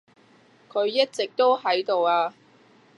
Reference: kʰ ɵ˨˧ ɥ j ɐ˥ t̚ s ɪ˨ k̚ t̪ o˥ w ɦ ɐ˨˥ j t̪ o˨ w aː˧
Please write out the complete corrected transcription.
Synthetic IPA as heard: kʰ ɵ˨˧ ɥ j ɐ˥ t̚ t͡s ɪ˨ k̚ t̪ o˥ w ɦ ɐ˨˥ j t̪ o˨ w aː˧